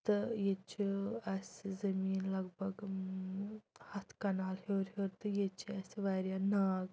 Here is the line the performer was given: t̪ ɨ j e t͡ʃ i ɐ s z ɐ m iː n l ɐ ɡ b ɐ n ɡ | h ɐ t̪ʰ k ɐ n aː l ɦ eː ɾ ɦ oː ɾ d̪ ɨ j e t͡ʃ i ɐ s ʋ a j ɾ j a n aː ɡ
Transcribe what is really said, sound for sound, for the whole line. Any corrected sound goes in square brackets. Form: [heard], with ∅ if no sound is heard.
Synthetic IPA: t̪ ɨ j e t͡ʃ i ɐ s z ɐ m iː n l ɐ ɡ b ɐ [∅] ɡ | h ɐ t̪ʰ k ɐ n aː l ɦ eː ɾ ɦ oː ɾ [t̪] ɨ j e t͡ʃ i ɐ s ʋ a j ɾ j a n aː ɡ

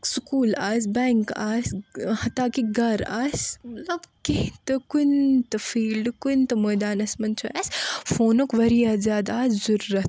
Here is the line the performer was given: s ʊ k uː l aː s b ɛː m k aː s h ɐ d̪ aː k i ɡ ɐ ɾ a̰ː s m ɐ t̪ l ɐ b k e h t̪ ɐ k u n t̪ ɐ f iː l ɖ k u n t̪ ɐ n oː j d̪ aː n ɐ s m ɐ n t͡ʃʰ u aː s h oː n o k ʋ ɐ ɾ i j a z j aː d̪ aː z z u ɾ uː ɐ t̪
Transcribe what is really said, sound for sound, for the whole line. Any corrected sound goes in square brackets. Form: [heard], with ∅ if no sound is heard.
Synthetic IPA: s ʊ k uː l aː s b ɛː [ŋ] k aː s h ɐ [t̪] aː k i ɡ ɐ ɾ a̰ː s m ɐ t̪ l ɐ b k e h t̪ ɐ k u n t̪ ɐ f iː l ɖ k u n t̪ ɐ [m] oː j d̪ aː n ɐ s m ɐ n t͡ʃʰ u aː s [f] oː n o k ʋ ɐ ɾ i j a z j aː d̪ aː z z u ɾ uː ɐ t̪

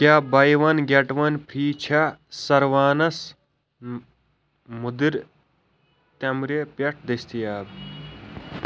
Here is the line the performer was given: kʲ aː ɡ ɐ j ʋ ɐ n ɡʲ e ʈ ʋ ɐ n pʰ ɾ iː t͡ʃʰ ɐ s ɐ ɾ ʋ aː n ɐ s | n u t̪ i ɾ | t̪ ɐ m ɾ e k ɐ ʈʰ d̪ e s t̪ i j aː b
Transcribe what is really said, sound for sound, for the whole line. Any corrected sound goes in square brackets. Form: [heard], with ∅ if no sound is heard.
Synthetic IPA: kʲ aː [b] ɐ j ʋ ɐ n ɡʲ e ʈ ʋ ɐ n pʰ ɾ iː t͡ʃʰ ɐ s ɐ ɾ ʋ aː n ɐ s | [m] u [d̪] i ɾ | t̪ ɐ m ɾ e [p] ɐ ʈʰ d̪ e s t̪ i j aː b

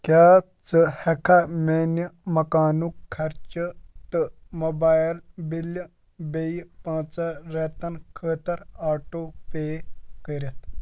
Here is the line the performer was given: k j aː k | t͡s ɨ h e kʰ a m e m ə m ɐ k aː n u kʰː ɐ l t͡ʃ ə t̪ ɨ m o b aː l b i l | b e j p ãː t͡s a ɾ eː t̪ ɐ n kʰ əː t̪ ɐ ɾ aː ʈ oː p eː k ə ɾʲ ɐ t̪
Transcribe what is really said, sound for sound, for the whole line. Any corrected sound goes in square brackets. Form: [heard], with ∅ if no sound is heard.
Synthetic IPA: k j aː [∅] | t͡s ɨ h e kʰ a m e [n] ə m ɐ k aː n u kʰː ɐ [ɾ] t͡ʃ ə t̪ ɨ m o b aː l b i l | b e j p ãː t͡s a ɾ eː t̪ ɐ n kʰ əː t̪ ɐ ɾ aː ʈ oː p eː k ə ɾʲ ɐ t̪

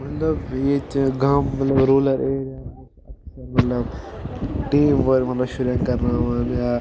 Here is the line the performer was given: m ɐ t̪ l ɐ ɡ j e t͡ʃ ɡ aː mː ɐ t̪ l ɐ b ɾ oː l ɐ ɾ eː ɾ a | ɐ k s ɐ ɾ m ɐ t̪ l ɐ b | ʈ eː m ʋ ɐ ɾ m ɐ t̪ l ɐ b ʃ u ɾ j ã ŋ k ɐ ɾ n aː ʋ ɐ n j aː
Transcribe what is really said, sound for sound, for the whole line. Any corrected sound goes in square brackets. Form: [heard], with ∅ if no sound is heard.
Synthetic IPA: m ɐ t̪ l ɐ [b] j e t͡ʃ ɡ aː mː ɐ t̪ l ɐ b ɾ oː l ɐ ɾ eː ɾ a | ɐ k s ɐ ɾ m ɐ t̪ l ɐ b | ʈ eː m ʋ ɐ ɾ m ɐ t̪ l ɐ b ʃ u ɾ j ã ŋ k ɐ ɾ n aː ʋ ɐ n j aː

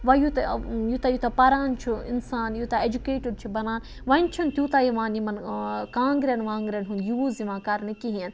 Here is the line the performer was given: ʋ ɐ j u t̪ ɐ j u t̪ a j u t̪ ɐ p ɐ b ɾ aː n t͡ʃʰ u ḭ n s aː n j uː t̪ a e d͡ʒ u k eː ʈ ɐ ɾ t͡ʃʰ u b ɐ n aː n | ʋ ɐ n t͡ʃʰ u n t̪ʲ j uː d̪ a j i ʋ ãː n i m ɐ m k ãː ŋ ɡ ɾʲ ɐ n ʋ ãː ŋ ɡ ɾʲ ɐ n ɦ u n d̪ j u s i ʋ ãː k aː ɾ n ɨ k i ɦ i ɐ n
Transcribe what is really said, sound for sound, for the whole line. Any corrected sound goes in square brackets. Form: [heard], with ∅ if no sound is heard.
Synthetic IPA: ʋ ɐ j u t̪ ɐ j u t̪ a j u t̪ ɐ p ɐ [∅] ɾ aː n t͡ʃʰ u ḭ n s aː n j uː t̪ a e d͡ʒ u k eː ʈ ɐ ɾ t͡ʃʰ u b ɐ n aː n | ʋ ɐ n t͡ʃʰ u n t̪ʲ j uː [t̪] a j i ʋ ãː n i m ɐ [n] k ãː ŋ ɡ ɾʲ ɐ n ʋ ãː ŋ ɡ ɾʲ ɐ n ɦ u n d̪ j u [z] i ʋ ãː k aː ɾ n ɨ k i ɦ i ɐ n

